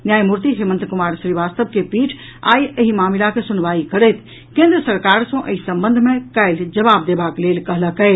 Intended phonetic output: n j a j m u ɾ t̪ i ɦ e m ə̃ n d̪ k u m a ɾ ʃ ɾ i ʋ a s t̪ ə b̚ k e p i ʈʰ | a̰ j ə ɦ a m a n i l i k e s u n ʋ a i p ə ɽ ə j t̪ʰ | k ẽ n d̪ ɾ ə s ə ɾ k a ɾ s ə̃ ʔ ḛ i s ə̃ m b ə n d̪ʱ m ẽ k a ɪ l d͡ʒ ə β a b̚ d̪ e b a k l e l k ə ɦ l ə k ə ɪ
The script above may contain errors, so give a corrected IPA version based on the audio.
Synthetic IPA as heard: n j a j m u ɾ t̪ i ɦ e m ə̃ n t̪ k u m a ɾ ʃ ɾ i ʋ a s t̪ ə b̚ k e p i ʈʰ | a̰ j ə ɦ i m a m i l a k e s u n ʋ a i k ə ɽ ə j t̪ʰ | k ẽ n d̪ ɾ ə s ə ɾ k a ɾ s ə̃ ʔ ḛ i s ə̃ m b ə n d̪ʱ m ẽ k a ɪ l d͡ʒ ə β a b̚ d̪ e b a k l e l k ə ɦ l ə k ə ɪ